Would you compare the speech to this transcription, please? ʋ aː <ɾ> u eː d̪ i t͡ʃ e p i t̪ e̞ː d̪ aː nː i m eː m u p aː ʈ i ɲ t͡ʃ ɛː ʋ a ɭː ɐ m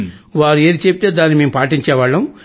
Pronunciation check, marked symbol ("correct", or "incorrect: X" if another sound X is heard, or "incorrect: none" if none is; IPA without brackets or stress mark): correct